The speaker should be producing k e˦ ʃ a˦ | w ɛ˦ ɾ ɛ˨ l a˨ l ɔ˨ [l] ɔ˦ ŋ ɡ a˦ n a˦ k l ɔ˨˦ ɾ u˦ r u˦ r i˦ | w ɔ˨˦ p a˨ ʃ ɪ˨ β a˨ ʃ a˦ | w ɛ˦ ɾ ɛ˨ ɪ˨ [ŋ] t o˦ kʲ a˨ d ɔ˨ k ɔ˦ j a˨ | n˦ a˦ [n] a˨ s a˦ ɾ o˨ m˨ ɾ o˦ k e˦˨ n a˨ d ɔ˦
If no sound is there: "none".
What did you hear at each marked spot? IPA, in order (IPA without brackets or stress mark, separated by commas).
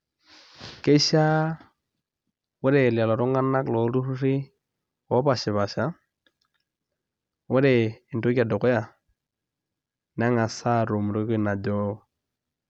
ɾ, n, ŋ